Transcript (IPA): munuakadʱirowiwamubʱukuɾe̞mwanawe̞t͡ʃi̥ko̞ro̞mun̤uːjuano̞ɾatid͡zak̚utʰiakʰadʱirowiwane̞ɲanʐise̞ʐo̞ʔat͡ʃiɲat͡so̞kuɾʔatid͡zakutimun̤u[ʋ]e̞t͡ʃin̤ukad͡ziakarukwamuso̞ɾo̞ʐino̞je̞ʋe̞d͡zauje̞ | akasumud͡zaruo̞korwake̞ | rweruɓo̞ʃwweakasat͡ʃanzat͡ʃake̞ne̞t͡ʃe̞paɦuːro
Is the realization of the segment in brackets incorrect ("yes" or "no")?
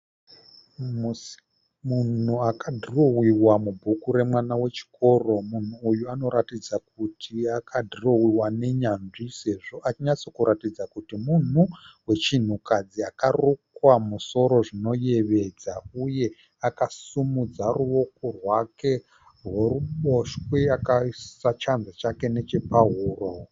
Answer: yes